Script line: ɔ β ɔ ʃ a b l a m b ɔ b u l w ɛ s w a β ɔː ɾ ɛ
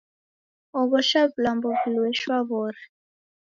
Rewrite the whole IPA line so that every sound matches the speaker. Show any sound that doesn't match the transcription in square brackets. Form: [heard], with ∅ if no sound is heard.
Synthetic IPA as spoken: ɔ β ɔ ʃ a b l a m b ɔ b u l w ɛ [ʃ] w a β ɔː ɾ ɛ